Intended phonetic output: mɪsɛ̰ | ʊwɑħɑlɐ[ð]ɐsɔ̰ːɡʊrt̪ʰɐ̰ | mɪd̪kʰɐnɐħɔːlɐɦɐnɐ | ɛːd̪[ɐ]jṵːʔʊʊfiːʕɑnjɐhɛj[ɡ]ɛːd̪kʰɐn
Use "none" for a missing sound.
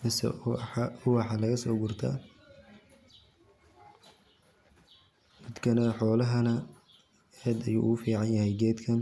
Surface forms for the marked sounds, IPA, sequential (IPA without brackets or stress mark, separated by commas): ɣ, ɐ, ɡ